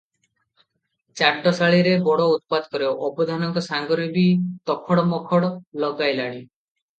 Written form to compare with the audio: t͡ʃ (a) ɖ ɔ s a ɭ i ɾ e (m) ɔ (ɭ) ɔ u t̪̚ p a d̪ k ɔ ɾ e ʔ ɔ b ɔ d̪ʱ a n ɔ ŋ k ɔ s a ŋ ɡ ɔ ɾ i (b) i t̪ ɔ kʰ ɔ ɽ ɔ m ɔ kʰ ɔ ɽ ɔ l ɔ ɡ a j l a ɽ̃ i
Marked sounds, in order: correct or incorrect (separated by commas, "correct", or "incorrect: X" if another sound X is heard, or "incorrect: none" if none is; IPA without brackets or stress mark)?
correct, incorrect: b, incorrect: ɽ, correct